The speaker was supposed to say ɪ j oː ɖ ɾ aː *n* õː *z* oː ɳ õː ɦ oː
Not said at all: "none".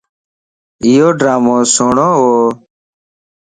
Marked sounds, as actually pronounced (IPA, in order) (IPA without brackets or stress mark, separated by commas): m, s